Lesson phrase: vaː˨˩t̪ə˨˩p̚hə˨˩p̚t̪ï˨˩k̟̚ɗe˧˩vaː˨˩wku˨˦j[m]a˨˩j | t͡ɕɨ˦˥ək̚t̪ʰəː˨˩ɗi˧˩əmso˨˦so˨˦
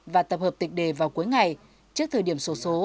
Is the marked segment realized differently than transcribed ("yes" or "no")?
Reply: yes